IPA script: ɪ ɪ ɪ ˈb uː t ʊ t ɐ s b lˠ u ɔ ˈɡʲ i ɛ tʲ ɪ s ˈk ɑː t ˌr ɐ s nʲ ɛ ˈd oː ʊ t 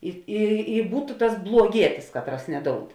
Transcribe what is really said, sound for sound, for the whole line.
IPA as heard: ɪ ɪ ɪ ˈb uː t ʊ t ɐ s b lˠ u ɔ ˈɡʲ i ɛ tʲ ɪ s ˈk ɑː t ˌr ɐ s nʲ ɛ ˈd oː ʊ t